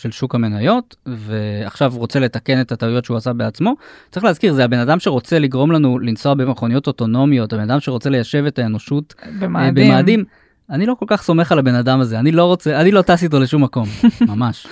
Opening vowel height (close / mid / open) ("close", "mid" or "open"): mid